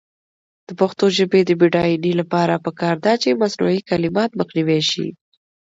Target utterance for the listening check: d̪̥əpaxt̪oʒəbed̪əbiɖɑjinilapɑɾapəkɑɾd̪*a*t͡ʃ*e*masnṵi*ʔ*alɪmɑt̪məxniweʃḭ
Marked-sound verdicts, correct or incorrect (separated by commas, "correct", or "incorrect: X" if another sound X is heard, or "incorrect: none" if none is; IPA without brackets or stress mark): incorrect: ɑ, correct, incorrect: k